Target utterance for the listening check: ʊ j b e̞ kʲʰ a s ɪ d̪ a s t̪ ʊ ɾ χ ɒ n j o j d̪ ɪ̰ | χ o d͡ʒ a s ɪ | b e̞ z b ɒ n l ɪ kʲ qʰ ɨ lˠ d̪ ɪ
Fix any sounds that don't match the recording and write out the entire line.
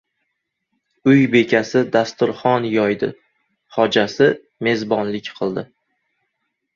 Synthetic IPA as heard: ʊ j b e̞ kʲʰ a s ɪ d̪ a s t̪ ʊ ɾ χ ɒ n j ɒ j d̪ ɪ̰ | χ ɒ d͡ʒ a s ɪ | m e̞ z b ɒ n l ɪ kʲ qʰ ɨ lˠ d̪ ɪ